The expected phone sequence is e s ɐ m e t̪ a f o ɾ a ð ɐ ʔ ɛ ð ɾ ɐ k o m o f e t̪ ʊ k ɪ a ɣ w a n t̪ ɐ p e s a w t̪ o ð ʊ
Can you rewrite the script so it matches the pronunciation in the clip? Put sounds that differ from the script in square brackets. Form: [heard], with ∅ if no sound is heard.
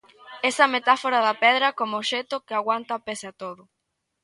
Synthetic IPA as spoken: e s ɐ m e t̪ a f o ɾ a ð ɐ [p] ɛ ð ɾ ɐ k o m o [ʃ] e t̪ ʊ k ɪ a ɣ w a n t̪ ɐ p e s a [∅] t̪ o ð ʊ